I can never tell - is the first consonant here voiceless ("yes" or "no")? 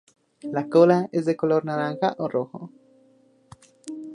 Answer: no